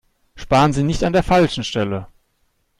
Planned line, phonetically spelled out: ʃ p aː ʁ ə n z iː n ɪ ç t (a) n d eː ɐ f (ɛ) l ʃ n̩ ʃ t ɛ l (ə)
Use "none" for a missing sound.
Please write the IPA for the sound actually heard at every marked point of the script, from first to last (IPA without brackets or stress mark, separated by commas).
a, a, ə